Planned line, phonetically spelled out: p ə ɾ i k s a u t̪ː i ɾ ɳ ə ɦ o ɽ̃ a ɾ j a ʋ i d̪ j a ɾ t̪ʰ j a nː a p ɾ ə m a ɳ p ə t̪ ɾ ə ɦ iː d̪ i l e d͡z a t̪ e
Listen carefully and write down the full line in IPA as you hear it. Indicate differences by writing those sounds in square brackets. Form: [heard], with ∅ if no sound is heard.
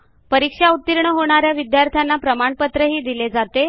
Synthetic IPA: p ə ɾ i k [ʂ] a u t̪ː i ɾ ɳ ə ɦ o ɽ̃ a ɾ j a ʋ i d̪ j a ɾ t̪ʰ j a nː a p ɾ ə m a ɳ p ə t̪ ɾ ə ɦ iː d̪ i l e d͡z a t̪ e